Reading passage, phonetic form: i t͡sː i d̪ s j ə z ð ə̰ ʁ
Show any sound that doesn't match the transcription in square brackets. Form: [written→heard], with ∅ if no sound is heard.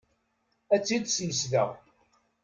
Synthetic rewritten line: [i→æ] t͡sː i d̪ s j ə [z→s] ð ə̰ ʁ